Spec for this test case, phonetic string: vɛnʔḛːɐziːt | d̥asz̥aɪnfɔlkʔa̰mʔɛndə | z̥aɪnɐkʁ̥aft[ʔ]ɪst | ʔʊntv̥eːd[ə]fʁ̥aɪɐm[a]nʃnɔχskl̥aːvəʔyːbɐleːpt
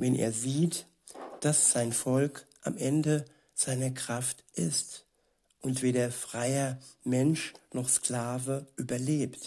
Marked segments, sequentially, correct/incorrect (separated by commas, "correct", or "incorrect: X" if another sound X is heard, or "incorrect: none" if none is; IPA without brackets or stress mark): correct, incorrect: ɐ, incorrect: ɛ